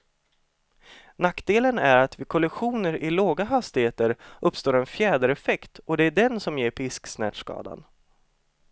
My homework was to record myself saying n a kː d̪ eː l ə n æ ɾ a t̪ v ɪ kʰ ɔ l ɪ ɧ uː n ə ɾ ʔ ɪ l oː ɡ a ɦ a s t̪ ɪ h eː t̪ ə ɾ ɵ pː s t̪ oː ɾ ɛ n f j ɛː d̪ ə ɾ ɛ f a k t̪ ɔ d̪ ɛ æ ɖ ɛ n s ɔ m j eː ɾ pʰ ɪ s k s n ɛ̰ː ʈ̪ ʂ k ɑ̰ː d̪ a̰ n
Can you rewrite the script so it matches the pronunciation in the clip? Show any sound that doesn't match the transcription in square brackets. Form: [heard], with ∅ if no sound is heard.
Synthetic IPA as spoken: n a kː d̪ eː l ə n æ ɾ a t̪ v ɪ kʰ ɔ l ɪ ɧ uː n ə ɾ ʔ ɪ l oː ɡ a ɦ a s t̪ ɪ h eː t̪ ə ɾ ɵ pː s t̪ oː ɾ ɛ n f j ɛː d̪ ə ɾ ɛ f [ɛ] k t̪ ɔ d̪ ɛ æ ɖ ɛ n s ɔ m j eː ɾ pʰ ɪ s k s n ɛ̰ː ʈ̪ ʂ k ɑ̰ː d̪ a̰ n